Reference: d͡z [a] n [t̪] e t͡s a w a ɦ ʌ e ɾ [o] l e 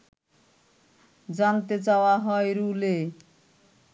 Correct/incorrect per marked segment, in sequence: correct, correct, incorrect

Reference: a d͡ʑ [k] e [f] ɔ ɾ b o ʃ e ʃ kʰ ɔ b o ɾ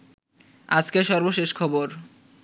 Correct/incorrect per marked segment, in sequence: correct, incorrect

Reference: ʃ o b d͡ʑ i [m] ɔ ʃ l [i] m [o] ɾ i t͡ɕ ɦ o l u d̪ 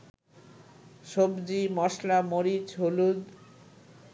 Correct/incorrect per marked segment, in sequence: correct, incorrect, correct

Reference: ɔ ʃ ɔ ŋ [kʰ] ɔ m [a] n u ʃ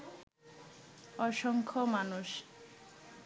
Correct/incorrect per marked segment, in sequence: correct, correct

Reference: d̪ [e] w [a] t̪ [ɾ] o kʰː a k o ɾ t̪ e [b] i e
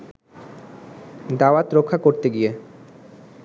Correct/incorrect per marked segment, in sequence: incorrect, correct, correct, incorrect

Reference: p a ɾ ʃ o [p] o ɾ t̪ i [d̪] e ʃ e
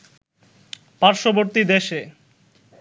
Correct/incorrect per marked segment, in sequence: incorrect, correct

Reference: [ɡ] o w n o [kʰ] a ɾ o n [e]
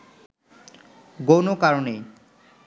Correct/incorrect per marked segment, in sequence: correct, incorrect, correct

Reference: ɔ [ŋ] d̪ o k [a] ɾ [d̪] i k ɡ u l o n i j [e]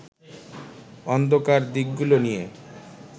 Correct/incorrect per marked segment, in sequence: incorrect, correct, correct, correct

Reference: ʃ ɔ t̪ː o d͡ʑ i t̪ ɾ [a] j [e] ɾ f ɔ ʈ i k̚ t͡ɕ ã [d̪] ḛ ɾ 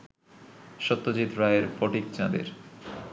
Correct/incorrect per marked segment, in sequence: correct, correct, correct

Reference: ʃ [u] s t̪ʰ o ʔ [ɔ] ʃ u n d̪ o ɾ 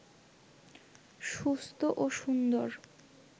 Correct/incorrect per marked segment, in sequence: correct, incorrect

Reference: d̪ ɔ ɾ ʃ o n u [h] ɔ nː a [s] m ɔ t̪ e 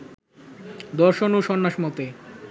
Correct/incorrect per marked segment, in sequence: incorrect, incorrect

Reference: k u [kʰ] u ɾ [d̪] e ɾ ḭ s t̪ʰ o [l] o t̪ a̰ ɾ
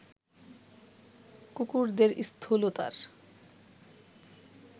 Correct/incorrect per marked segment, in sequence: incorrect, correct, correct

